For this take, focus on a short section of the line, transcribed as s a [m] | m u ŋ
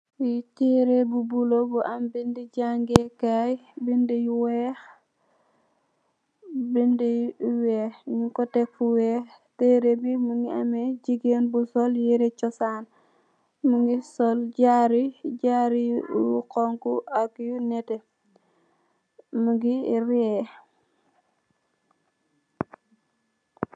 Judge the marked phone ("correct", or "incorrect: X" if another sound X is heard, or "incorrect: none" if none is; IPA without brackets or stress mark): incorrect: n